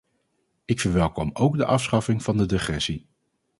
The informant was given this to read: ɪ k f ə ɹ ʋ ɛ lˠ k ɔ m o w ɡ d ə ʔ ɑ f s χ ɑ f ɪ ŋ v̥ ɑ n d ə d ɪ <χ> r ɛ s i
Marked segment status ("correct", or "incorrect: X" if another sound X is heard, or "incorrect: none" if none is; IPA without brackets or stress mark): correct